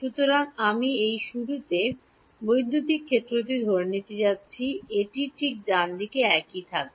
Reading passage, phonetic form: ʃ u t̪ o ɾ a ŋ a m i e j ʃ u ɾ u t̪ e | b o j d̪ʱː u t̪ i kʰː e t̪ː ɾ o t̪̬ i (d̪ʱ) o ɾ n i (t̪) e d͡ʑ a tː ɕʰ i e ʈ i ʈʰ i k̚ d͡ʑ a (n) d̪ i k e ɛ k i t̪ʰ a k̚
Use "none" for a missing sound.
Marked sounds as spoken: d̪ʱ, t̪, n

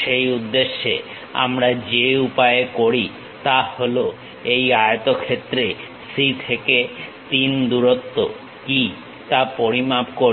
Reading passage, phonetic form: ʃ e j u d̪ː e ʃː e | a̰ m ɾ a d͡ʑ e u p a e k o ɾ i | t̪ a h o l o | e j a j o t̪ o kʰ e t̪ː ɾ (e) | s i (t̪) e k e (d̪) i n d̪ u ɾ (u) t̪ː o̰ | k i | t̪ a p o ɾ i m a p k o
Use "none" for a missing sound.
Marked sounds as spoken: e, t̪ʰ, t̪, o

